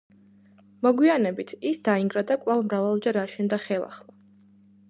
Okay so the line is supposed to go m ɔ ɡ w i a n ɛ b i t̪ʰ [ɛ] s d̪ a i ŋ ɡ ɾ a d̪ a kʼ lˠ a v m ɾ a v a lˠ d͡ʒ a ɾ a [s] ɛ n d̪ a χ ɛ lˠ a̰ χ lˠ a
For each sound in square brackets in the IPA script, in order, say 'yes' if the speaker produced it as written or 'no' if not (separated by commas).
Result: no, no